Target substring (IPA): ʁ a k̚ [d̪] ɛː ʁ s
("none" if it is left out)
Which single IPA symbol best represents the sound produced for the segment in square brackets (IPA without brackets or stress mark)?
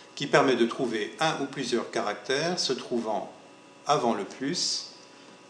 t̪